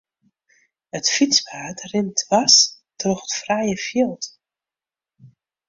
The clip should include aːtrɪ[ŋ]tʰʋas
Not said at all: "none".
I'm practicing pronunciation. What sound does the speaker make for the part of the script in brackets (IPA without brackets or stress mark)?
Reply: n